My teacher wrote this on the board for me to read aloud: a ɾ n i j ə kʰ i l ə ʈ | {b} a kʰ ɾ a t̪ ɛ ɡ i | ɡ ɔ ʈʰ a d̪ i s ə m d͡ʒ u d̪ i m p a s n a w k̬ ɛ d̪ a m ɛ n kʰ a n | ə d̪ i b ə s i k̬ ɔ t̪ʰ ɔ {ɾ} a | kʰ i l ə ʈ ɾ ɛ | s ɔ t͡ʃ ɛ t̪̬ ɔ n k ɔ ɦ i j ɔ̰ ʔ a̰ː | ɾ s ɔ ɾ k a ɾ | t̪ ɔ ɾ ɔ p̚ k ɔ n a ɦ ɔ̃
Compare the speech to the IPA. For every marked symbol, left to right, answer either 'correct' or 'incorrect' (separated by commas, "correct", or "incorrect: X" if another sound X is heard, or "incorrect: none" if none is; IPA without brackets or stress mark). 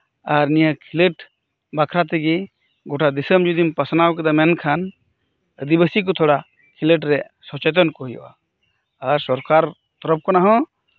correct, incorrect: ɽ